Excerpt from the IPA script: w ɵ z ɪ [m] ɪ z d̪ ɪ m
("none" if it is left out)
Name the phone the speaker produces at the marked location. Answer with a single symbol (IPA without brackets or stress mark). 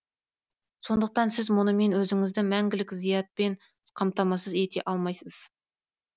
ŋ